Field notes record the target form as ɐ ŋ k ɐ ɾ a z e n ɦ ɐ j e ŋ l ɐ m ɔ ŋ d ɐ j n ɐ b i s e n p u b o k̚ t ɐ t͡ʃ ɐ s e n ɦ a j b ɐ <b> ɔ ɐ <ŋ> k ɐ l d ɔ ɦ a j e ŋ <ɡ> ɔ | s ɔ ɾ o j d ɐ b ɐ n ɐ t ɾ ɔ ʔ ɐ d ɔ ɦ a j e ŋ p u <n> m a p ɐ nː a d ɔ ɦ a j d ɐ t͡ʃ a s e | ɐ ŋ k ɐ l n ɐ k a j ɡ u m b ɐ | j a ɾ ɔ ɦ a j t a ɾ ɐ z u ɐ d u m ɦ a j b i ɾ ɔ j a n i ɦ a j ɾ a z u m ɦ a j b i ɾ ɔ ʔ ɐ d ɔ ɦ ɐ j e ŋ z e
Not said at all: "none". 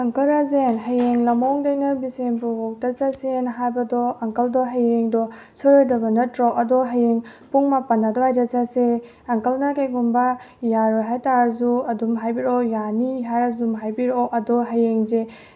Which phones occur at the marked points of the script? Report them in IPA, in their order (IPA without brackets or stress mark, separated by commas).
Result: d, ŋ, d, ŋ